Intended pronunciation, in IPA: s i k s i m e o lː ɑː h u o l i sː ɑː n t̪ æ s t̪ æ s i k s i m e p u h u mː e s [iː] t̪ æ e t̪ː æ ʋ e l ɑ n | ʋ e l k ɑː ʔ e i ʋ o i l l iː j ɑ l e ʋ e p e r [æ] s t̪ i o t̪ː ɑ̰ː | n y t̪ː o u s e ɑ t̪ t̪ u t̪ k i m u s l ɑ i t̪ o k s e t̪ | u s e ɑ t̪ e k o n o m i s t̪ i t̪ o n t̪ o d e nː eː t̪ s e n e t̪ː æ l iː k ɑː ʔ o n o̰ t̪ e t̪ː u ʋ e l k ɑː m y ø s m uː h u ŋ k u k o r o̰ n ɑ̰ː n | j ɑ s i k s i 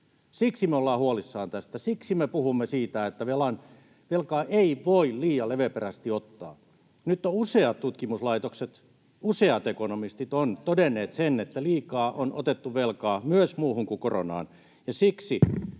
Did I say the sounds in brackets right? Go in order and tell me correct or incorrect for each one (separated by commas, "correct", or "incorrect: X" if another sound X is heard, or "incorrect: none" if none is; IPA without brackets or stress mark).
correct, correct